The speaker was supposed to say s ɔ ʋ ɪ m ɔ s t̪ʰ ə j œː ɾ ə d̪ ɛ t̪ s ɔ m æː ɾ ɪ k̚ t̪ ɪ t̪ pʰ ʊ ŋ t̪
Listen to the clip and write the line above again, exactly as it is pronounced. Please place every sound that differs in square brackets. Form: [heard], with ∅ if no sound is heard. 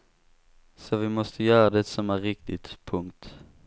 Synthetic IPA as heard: s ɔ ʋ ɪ m ɔ s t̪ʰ ə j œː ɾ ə d̪ ɛ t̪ s ɔ m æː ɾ ɪ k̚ t̪ ɪ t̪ pʰ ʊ ŋ t̪